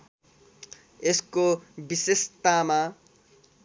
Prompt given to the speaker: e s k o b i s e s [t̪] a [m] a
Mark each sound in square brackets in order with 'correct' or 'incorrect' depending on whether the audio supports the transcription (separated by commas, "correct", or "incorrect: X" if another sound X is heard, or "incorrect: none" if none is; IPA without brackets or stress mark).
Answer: correct, correct